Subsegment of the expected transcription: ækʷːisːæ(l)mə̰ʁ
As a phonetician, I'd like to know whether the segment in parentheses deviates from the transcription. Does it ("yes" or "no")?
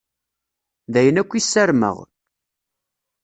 yes